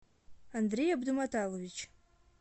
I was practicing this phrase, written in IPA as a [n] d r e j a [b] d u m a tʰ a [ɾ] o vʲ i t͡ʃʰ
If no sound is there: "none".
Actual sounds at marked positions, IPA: n, b, l

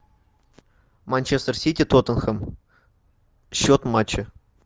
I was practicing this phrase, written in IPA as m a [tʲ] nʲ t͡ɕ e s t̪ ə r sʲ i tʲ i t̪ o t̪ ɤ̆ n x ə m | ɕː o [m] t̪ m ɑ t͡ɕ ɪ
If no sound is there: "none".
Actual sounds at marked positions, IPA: none, none

